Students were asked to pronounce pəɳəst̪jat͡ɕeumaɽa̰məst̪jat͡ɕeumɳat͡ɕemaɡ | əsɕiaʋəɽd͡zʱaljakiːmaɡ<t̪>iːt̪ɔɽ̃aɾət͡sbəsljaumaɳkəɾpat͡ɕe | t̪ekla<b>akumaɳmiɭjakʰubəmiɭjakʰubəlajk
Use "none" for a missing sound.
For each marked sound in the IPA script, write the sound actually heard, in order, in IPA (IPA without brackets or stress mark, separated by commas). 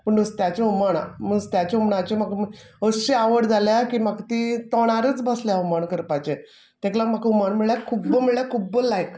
t̪, m